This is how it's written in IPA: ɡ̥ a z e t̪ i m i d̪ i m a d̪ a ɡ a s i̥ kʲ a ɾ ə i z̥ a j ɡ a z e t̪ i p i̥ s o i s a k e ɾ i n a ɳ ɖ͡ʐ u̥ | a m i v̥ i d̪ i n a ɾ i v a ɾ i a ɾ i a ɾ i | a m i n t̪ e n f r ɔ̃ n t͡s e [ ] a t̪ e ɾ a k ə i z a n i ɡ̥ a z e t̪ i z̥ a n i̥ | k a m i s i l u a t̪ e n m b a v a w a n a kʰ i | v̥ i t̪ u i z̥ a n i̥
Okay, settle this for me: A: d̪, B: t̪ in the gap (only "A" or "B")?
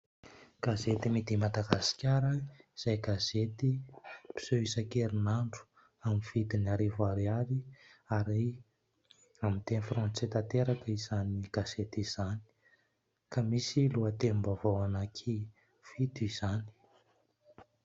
B